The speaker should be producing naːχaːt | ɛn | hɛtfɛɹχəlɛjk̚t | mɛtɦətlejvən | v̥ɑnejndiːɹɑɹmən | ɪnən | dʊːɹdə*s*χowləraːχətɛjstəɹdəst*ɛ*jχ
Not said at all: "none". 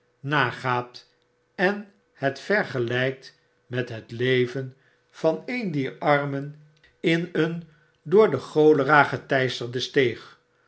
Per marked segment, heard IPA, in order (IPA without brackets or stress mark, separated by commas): none, e